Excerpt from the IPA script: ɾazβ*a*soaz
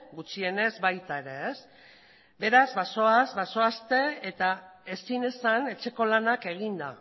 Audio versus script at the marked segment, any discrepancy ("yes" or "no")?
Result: no